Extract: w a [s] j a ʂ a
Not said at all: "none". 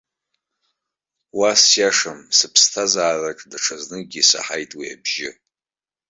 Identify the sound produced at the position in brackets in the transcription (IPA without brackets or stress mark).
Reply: s